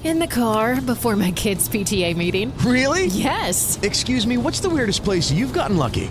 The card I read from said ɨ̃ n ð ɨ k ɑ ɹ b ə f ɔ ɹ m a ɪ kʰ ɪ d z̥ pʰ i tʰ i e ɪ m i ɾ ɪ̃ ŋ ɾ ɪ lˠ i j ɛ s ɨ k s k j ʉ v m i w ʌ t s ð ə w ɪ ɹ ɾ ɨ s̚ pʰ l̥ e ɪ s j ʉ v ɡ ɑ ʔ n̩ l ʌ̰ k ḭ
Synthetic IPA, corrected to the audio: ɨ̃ n ð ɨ kʰ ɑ ɹ b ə f ɔ ɹ m a ɪ kʰ ɪ d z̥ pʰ i tʰ i e ɪ m i ɾ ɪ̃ ŋ ɹ ɪ lˠ i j ɛ s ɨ k s k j ʉ z m i w ʌ t s ð ə w ɪ ɹ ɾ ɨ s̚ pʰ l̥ e ɪ s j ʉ v ɡ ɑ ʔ n̩ l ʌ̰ k ḭ